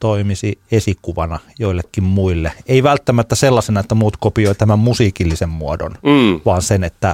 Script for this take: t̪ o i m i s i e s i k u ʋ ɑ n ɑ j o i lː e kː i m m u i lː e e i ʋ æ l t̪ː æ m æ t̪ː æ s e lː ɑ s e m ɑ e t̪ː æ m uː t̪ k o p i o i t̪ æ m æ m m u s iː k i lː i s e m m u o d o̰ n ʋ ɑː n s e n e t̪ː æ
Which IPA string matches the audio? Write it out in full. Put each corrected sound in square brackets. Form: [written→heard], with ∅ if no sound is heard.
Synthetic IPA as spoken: t̪ o i m i s i e s i k u ʋ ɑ n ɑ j o i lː e kː i m m u i lː e e i ʋ æ l t̪ː æ m æ t̪ː æ s e lː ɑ s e [m→n] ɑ e t̪ː æ m uː t̪ k o p i o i t̪ æ m æ m m u s iː k i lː i s e m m u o d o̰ n ʋ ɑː n s e n e t̪ː æ